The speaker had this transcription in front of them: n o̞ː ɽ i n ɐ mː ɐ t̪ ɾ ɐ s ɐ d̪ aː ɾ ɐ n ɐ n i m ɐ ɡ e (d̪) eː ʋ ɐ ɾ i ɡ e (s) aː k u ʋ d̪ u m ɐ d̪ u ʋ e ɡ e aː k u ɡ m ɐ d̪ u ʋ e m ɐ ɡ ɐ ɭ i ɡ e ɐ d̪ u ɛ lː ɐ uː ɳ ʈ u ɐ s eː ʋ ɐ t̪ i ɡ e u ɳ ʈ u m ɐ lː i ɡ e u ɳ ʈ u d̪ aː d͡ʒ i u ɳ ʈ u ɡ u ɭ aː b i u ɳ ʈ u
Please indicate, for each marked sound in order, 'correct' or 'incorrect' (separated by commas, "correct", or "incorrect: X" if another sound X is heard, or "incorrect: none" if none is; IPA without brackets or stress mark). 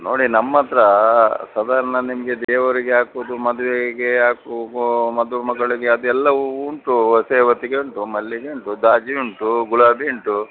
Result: correct, incorrect: none